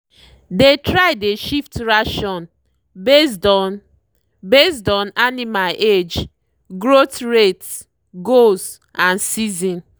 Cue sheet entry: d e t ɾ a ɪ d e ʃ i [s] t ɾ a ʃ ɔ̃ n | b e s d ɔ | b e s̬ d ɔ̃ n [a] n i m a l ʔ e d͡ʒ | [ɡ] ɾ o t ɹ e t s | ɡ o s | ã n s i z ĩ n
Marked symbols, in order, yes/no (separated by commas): no, yes, yes